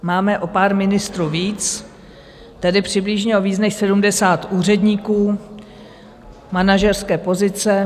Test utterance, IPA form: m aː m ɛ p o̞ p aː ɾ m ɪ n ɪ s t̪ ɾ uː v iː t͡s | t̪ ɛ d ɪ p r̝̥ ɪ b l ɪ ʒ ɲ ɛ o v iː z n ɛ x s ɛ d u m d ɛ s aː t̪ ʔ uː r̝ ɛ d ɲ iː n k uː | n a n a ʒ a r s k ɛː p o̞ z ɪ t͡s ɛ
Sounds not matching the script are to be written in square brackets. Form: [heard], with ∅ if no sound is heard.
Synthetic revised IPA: m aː m ɛ [ʔ] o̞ p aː ɾ m ɪ n ɪ s t̪ ɾ uː v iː t͡s | t̪ ɛ d ɪ p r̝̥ ɪ b l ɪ ʒ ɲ ɛ o v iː z n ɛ x s ɛ d u m d ɛ s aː t̪ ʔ uː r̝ ɛ d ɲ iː [∅] k uː | [m] a n a ʒ [ɛ] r s k ɛː p o̞ z ɪ t͡s ɛ

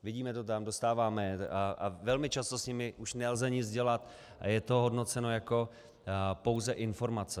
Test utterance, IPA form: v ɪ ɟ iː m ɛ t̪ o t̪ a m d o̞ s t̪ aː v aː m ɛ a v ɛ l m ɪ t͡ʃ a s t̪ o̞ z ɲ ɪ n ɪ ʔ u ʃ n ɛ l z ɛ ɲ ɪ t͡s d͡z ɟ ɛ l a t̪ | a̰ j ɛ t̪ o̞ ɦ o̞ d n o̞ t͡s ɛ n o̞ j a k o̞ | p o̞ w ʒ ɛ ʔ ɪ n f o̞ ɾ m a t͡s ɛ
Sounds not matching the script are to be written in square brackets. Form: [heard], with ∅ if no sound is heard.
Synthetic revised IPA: v ɪ ɟ iː m ɛ t̪ o t̪ a m d o̞ s t̪ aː v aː m ɛ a v ɛ l m ɪ t͡ʃ a s t̪ o̞ [s] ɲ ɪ [m] ɪ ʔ u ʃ n ɛ l z ɛ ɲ ɪ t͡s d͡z ɟ ɛ l a t̪ | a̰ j ɛ t̪ o̞ ɦ o̞ d n o̞ t͡s ɛ n o̞ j a k o̞ | p o̞ w [z] ɛ ʔ ɪ n f o̞ ɾ m a t͡s ɛ

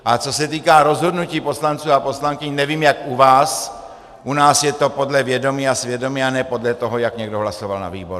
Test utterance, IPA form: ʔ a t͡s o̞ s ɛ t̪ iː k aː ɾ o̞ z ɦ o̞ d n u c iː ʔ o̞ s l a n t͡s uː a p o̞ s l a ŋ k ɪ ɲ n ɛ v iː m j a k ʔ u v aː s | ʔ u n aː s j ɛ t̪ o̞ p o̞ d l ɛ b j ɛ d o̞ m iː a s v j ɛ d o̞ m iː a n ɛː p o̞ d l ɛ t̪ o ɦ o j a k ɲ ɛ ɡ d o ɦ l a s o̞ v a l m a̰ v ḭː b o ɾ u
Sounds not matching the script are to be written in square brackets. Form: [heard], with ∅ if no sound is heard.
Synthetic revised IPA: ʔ a t͡s o̞ s ɛ t̪ iː k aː ɾ o̞ z ɦ o̞ d n u c iː [p] o̞ s l a n t͡s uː a p o̞ s l a ŋ k ɪ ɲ n ɛ v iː m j a k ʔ u v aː s | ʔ u n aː s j ɛ t̪ o̞ p o̞ d l ɛ [v] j ɛ d o̞ m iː a s v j ɛ d o̞ m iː a n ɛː p o̞ d l ɛ t̪ o ɦ o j a k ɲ ɛ ɡ d o ɦ l a s o̞ v a l [n] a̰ v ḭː b o ɾ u

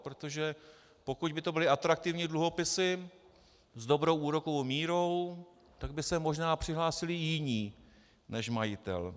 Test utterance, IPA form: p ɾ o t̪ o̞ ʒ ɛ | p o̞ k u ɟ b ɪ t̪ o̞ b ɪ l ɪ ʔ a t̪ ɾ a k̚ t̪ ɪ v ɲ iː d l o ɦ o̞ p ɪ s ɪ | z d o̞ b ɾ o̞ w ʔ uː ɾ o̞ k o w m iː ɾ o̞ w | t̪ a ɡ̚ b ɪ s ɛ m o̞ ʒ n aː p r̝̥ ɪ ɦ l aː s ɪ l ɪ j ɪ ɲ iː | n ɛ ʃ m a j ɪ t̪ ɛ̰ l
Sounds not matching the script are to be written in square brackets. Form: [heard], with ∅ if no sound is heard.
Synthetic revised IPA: p ɾ o t̪ o̞ ʒ ɛ | p o̞ k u ɟ b ɪ t̪ o̞ b ɪ l ɪ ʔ a t̪ ɾ a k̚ t̪ ɪ v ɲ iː d l [u] ɦ o̞ p ɪ s ɪ | z d o̞ b ɾ o̞ w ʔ uː ɾ o̞ k o w m iː ɾ o̞ w | t̪ a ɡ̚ b ɪ s ɛ m o̞ ʒ n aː p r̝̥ ɪ ɦ l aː s ɪ l ɪ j ɪ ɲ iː | n ɛ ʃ m a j ɪ t̪ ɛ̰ l

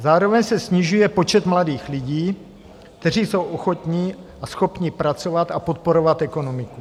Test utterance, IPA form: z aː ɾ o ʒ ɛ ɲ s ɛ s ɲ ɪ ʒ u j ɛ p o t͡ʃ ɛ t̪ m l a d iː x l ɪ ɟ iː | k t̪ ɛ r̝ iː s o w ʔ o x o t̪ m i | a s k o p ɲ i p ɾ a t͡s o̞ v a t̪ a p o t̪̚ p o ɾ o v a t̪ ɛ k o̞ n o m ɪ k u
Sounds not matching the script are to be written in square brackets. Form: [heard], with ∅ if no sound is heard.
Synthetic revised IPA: z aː ɾ o [v] ɛ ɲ s ɛ s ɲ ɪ ʒ u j ɛ p o t͡ʃ ɛ t̪ m l a d iː x l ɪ ɟ iː | k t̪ ɛ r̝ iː s o w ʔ o x o t̪ [ɲ] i | a s [x] o p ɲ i p ɾ a t͡s o̞ v a t̪ a p o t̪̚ p o ɾ o v a t̪ ɛ k o̞ n o m ɪ k u

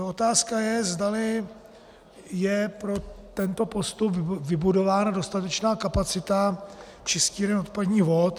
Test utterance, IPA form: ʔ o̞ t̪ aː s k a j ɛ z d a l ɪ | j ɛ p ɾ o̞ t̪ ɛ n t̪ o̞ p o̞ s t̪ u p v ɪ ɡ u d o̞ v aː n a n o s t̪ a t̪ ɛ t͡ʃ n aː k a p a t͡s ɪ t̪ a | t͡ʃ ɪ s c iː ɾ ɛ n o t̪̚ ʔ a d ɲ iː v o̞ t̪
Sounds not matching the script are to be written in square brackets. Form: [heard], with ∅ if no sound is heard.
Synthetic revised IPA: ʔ o̞ t̪ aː s k a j ɛ z d a l ɪ | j ɛ p ɾ o̞ t̪ ɛ n t̪ o̞ p o̞ s t̪ u p v ɪ [b] u d o̞ v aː n a [d] o s t̪ a t̪ ɛ t͡ʃ n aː k a p a t͡s ɪ t̪ a | t͡ʃ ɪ s c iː ɾ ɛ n o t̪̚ [p] a d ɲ iː v o̞ t̪

